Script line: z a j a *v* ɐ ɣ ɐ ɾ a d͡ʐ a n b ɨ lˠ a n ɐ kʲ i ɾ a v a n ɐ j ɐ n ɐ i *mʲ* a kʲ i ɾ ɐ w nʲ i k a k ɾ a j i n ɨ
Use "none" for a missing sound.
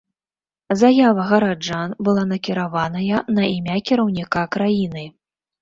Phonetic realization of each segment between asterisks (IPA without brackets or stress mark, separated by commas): v, mʲ